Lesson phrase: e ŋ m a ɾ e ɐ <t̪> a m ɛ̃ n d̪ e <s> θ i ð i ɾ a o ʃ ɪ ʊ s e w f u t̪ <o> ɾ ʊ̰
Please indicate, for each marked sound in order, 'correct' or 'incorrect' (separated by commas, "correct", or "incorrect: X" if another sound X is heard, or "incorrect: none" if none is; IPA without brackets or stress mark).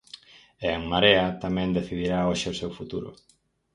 correct, incorrect: none, incorrect: u